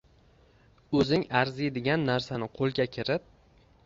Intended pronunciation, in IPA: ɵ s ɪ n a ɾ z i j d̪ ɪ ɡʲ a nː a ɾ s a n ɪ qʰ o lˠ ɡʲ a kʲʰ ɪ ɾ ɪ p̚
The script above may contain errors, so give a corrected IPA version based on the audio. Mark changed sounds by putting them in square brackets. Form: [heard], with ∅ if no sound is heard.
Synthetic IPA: ɵ [z] ɪ [ŋ] a ɾ z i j d̪ ɪ ɡʲ a nː a ɾ s a n ɪ qʰ o lˠ ɡʲ a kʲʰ ɪ ɾ ɪ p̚